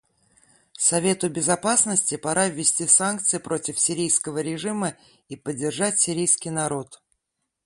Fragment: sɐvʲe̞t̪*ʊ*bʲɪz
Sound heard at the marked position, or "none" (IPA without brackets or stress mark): ʊ